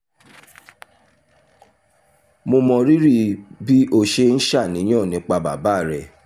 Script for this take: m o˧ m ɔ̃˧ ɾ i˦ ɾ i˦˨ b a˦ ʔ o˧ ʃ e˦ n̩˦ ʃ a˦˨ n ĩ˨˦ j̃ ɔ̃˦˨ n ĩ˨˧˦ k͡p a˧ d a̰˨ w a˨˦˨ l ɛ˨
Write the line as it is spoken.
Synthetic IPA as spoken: m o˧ m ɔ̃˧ ɾ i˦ ɾ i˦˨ b i˦ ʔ o˧ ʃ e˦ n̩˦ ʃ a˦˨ n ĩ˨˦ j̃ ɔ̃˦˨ n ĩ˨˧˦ k͡p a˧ b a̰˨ b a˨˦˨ ɾ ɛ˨